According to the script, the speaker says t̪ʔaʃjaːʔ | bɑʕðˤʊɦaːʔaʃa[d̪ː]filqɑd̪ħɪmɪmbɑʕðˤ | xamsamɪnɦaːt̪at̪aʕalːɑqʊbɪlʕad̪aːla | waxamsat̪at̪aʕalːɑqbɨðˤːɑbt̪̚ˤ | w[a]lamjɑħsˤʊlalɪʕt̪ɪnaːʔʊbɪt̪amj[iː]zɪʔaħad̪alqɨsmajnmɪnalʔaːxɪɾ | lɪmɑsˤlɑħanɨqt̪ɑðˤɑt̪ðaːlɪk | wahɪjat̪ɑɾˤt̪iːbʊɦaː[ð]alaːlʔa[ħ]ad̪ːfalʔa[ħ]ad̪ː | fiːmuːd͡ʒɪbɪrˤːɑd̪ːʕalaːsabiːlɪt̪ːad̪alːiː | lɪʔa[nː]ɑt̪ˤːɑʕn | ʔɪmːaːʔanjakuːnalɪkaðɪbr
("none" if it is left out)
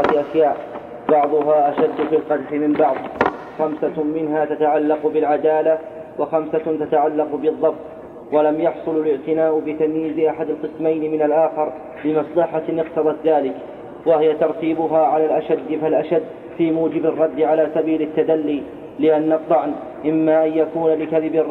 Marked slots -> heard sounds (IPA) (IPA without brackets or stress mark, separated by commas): d̪ː, a, iː, ʕ, ʃ, ʃ, nː